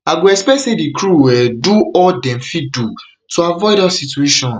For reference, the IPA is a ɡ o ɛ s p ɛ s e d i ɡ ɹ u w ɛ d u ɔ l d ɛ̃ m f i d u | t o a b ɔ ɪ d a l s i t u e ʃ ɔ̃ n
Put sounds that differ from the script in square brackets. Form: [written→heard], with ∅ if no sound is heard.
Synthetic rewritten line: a ɡ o ɛ s p ɛ s e d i [ɡ→k] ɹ u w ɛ d u ɔ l d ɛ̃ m f i d u | t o a [b→v] ɔ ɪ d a [l→∅] s i t u e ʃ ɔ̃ n